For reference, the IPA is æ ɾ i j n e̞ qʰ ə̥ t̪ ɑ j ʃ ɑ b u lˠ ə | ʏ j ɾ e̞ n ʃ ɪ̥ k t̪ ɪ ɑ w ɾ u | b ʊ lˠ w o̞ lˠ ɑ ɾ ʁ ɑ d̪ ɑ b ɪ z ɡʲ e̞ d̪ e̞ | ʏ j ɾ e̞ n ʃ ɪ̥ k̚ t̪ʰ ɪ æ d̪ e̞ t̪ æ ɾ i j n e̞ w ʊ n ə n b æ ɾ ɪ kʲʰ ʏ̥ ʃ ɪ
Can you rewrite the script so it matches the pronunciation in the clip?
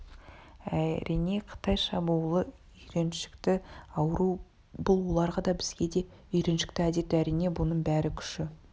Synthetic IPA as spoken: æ ɾ i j n e̞ qʰ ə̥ t̪ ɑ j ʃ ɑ b u lˠ ə | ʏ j ɾ e̞ n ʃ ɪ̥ k t̪ ɪ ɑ w ɾ u | b ʊ lˠ w o̞ lˠ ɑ ɾ ʁ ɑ d̪ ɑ b ɪ z ɡʲ e̞ d̪ e̞ | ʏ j ɾ e̞ n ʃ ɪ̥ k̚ t̪ ɪ æ d̪ e̞ t̪ æ ɾ i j n e̞ b ʊ n ə ɴ b æ ɾ ɪ kʲʰ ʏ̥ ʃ ɪ